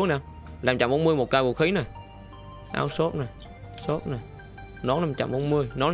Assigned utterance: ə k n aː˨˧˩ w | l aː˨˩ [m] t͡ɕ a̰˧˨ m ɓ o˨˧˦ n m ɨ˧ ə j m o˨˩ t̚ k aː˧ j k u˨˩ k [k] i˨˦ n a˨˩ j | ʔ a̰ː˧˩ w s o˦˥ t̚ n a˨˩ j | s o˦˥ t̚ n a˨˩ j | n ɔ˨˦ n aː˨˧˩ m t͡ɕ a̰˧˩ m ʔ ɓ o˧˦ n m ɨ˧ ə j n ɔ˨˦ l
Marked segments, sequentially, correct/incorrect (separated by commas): correct, incorrect